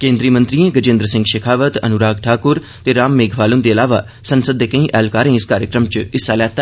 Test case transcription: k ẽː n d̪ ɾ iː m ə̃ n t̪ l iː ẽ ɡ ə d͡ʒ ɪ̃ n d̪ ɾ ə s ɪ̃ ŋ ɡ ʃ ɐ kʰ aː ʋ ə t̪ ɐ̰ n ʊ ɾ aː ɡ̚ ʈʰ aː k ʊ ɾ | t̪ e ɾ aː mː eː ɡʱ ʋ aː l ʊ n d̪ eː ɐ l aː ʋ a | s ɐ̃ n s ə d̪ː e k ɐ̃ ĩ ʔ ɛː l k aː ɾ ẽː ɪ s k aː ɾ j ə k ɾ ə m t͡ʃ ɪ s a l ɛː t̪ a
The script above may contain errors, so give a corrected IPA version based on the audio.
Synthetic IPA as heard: k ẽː n d̪ ɾ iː m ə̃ n t̪ ɾ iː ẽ ɡ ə d͡ʒ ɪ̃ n d̪ ɾ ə s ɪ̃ ŋ ɡ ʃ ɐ kʰ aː ʋ ə t̪ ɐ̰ n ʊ ɾ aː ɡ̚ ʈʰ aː k ʊ ɾ | t̪ e ɾ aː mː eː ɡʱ ʋ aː l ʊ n d̪ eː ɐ l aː ʋ a | s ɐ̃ n s ə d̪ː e k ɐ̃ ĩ ʔ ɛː l k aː ɾ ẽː ɪ s k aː ɾ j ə k ɾ ə m t͡ʃ ɪ s a l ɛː t̪ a